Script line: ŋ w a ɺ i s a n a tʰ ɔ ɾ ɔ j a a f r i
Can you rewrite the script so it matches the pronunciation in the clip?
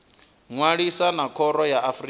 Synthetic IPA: ŋ w a ɺ i s a n a kʰ ɔ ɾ ɔ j a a f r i